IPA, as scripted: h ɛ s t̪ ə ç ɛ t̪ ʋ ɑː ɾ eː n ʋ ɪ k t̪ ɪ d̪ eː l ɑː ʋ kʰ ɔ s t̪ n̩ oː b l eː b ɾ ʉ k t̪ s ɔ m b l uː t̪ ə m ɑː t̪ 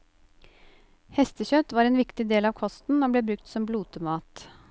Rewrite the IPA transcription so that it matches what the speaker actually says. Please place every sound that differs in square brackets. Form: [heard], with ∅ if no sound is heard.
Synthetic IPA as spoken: h ɛ s t̪ ə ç [œ] t̪ ʋ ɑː ɾ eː n ʋ ɪ k t̪ ɪ d̪ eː l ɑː ʋ kʰ ɔ s t̪ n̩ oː b l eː b ɾ ʉ k t̪ s ɔ m b l uː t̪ ə m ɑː t̪